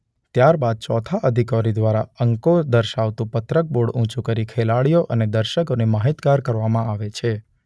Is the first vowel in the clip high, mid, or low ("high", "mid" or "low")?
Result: low